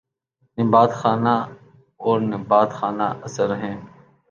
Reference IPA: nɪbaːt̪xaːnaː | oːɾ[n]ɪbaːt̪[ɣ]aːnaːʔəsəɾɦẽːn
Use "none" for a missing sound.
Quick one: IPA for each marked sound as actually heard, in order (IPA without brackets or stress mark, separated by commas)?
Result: n, x